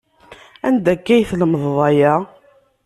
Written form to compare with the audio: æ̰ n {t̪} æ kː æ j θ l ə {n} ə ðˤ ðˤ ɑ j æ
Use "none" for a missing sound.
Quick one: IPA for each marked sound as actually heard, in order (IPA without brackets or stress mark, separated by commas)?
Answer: d̪, m